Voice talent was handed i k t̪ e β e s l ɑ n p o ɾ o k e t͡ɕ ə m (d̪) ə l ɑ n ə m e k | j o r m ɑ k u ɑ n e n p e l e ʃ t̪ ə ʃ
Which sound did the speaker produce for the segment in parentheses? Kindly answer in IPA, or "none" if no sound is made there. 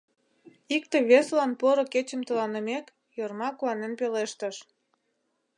t̪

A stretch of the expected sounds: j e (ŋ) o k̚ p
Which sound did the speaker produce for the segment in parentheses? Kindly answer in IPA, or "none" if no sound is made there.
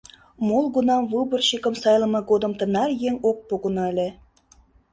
ŋ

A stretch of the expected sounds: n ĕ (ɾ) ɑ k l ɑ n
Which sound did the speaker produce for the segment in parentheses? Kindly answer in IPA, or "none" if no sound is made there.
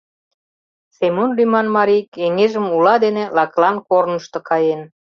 l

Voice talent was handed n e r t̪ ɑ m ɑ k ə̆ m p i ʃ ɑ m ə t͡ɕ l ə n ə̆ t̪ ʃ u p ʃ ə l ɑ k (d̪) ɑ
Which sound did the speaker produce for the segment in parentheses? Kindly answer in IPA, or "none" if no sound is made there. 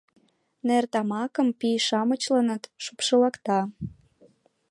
t̪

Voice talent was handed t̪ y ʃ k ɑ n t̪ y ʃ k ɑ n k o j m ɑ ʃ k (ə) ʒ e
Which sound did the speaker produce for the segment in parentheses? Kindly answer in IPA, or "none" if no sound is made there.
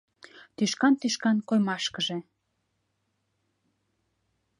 ə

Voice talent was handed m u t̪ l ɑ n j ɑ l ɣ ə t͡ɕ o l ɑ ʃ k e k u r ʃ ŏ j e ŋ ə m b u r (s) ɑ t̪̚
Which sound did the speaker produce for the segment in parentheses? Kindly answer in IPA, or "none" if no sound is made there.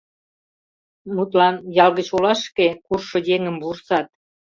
s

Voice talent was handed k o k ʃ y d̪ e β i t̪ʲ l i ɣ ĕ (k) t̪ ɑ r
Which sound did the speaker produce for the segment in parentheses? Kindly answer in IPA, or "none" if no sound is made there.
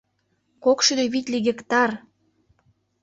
k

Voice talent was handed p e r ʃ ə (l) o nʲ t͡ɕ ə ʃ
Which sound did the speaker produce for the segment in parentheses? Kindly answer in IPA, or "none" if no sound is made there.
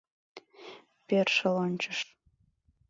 l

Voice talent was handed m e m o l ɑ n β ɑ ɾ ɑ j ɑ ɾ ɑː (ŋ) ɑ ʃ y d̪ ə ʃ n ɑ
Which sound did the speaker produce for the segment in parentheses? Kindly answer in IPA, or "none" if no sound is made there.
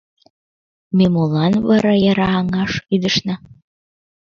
ŋ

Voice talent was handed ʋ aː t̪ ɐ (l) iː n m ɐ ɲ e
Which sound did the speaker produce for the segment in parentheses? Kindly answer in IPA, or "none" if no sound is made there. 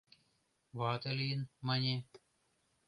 l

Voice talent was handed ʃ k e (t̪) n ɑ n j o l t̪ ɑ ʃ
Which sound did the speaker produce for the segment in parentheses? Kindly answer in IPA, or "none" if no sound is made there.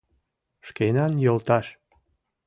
none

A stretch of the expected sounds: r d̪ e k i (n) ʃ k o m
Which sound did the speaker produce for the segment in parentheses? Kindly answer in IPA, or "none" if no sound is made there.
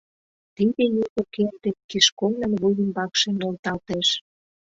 none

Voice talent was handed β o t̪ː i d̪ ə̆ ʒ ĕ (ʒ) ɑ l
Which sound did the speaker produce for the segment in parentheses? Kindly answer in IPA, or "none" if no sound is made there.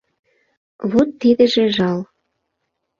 ʒ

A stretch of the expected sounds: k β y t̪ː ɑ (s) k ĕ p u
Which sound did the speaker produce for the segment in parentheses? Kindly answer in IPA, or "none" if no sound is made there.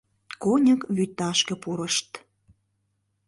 ʃ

